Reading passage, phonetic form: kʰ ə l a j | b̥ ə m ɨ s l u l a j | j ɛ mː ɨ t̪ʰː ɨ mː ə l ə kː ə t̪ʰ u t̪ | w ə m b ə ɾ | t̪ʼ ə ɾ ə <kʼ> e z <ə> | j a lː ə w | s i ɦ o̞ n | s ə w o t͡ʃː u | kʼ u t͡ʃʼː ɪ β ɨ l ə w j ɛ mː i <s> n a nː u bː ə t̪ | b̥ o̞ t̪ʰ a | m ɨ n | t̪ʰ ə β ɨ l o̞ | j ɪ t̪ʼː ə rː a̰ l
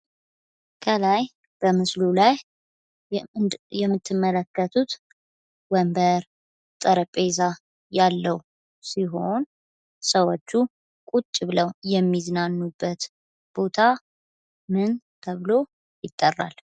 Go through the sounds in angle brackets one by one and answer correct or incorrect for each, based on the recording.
incorrect, incorrect, incorrect

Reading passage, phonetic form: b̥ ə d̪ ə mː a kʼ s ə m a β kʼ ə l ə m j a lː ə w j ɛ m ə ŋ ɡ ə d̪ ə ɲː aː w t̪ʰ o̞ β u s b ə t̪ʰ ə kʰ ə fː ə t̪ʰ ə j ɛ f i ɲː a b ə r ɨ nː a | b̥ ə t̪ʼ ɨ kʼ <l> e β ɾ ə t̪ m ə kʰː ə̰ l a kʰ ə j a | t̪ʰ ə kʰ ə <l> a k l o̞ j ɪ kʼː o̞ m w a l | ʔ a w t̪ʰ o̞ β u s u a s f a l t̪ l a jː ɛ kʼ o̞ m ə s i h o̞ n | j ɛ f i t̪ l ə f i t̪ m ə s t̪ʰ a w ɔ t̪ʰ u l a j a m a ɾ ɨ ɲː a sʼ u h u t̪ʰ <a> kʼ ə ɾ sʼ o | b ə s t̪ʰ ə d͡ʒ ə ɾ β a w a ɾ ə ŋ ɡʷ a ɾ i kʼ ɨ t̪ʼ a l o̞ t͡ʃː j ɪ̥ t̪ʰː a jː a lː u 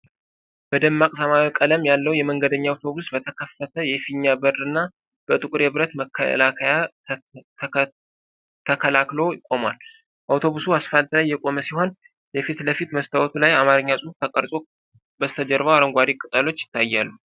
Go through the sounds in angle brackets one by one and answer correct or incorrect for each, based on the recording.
incorrect, correct, incorrect

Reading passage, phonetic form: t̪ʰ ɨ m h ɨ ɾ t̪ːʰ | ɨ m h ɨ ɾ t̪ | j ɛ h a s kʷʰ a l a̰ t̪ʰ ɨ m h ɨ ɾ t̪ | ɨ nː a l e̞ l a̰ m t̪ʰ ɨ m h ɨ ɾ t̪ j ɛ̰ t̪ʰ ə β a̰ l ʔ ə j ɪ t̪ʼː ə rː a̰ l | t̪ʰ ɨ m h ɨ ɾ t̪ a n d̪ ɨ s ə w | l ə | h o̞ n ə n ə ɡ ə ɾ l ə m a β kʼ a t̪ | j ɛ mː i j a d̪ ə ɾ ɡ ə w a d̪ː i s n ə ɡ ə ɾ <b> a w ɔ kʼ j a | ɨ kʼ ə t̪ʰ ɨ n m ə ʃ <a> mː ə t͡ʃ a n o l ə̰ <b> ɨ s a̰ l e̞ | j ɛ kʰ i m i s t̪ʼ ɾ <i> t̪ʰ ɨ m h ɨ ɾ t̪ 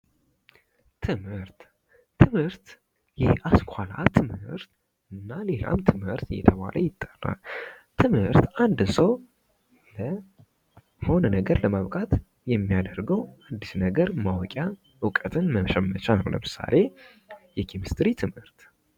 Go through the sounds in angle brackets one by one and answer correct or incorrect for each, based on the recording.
incorrect, incorrect, incorrect, correct

